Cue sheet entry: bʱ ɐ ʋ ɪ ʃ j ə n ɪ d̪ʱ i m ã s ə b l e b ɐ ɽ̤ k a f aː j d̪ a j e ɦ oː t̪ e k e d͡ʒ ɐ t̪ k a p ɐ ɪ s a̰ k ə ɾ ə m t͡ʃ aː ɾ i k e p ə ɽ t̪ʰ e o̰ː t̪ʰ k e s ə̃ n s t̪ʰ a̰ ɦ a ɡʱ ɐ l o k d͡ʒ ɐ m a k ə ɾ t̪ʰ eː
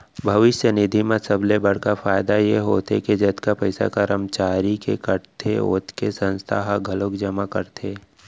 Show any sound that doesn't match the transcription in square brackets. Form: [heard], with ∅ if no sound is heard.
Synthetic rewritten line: bʱ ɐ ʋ ɪ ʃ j ə n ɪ d̪ʱ i m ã s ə b l e b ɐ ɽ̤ k a f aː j d̪ a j e ɦ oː t̪ e k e d͡ʒ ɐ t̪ k a p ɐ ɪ s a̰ k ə ɾ ə m t͡ʃ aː ɾ i k e [k] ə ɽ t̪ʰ e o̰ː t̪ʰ k e s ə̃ n s t̪ʰ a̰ ɦ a ɡʱ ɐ l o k d͡ʒ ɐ m a k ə ɾ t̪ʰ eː